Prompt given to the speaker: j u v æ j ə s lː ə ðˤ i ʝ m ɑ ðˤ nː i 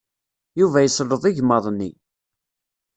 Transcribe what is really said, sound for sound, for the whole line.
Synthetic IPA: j u v æ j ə s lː ə ðˤ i ʝ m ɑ ðˤ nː i